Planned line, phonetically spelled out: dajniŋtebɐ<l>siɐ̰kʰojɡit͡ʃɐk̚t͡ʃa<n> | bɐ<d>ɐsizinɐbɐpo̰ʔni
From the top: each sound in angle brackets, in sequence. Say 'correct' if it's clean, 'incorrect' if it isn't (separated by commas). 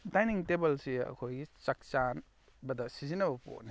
correct, correct, correct